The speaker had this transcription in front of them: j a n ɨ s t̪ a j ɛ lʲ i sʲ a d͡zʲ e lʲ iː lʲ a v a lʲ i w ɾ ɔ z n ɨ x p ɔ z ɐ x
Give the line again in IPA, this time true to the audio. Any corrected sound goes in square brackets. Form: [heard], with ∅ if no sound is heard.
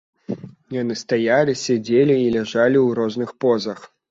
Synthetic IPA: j a n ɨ s t̪ a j [a] lʲ i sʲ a d͡zʲ e lʲ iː lʲ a [ʐ] a lʲ i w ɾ ɔ z n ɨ x p ɔ z ɐ x